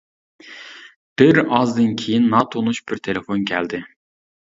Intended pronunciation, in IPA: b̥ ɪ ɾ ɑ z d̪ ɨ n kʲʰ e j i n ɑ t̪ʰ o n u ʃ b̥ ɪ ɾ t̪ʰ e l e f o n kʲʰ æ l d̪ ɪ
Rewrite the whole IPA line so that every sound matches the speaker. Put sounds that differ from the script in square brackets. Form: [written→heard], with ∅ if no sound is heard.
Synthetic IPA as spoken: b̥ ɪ ɾ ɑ z d̪ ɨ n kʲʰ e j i [n→nː] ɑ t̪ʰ o n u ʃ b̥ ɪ ɾ t̪ʰ e l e f o n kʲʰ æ l d̪ ɪ